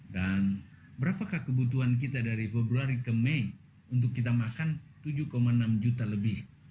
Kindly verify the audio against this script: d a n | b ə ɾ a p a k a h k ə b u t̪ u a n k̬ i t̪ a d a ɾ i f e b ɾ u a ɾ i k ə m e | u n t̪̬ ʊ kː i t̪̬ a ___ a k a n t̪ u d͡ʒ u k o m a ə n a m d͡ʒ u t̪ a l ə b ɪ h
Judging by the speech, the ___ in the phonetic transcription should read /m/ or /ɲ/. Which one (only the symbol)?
m